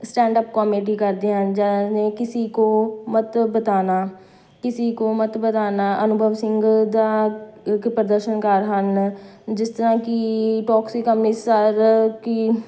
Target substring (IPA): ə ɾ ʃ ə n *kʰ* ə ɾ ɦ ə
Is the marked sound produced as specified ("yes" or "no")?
no